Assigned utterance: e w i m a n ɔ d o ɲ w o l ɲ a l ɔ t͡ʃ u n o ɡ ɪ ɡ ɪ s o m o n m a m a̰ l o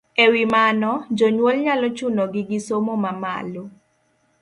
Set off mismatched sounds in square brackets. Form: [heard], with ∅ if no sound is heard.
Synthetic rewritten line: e w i m a n ɔ [d͡ʒ] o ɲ w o l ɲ a l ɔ t͡ʃ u n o ɡ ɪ ɡ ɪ s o m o [∅] m a m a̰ l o